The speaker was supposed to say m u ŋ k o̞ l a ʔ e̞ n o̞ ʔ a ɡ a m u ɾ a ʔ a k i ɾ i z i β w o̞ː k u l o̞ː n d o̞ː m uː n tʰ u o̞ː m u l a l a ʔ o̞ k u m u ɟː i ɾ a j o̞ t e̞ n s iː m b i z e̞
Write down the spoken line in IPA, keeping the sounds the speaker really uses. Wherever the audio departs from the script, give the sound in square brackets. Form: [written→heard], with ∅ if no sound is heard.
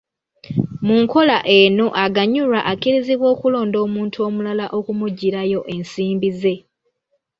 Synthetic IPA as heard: m u ŋ k o̞ l a ʔ e̞ n o̞ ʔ a ɡ a [m→ɲ] u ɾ a ʔ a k i ɾ i z i β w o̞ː k u l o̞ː n d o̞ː m uː n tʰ u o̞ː m u l a l a ʔ o̞ k u m u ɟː i ɾ a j o̞ [t→ʔ] e̞ n s iː m b i z e̞

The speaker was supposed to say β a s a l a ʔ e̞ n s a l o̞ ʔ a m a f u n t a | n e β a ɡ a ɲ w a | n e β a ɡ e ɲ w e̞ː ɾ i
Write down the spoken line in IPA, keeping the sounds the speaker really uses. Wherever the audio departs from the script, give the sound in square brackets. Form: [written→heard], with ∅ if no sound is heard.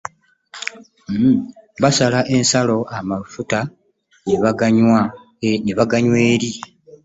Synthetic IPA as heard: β a s a l a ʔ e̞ n s a l o̞ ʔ a m a f u [n→∅] t a | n e β a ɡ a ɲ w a | n e β a ɡ [e→a] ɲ w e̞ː ɾ i

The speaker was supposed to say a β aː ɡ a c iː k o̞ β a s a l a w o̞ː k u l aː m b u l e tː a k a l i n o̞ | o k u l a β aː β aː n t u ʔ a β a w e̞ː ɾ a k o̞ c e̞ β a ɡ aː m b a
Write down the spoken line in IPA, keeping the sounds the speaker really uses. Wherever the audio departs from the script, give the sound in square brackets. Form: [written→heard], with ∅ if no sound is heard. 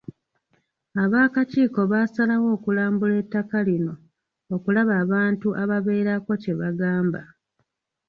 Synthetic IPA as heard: a β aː [ɡ→k] a c iː k o̞ β a s a l a w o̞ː k u l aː m b u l e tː a k a l i n o̞ | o k u l a β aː β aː n t u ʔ a β a [w→β] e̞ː ɾ a k o̞ c e̞ β a ɡ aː m b a

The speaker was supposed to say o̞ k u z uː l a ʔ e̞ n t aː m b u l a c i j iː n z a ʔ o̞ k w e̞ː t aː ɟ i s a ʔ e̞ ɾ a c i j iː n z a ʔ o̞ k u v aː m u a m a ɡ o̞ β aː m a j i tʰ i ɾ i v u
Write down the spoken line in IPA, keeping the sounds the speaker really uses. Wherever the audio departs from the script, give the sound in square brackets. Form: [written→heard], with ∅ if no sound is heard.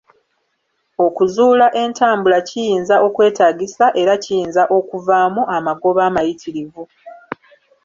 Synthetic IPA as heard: o̞ k u z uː l a ʔ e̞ n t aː m b u l a c i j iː n z a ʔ o̞ k w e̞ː t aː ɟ i s a ʔ e̞ ɾ a c i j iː n z a ʔ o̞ k u v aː m u a m a ɡ o̞ β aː m a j i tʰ i ɾ i v u

